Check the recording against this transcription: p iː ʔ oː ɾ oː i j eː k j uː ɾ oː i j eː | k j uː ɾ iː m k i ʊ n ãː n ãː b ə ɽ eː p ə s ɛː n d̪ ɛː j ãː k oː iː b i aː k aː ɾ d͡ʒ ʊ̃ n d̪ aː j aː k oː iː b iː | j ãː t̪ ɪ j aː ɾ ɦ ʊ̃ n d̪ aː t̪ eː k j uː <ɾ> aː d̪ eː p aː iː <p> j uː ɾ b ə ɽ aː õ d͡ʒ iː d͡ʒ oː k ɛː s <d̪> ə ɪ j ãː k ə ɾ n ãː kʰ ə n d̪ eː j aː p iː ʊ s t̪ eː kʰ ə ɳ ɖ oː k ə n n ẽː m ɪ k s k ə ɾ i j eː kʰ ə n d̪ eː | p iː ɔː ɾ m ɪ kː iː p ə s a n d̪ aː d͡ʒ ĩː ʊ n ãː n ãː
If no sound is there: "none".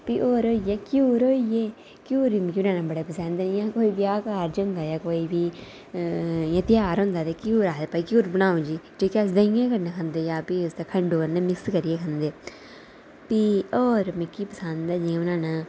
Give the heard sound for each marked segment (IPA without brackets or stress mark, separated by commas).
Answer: ɾ, k, d̪